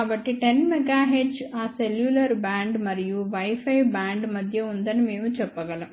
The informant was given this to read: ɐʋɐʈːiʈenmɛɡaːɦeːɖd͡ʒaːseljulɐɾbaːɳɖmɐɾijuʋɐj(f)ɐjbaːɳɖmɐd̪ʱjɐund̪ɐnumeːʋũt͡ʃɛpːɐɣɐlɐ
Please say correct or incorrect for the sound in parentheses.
correct